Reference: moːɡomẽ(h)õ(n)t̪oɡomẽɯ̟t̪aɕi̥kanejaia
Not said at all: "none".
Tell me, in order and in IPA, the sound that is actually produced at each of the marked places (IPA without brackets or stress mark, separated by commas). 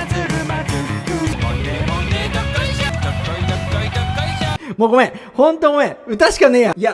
h, n